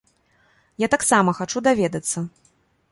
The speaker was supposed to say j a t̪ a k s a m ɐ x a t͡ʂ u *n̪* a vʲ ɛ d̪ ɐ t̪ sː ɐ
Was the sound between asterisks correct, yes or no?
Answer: no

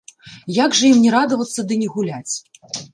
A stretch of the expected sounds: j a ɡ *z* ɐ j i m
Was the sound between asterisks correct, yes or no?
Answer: no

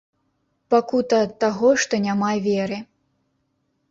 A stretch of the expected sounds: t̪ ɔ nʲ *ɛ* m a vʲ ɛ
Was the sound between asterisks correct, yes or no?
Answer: no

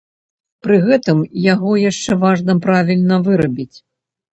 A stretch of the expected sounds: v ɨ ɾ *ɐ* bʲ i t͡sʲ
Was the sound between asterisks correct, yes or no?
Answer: yes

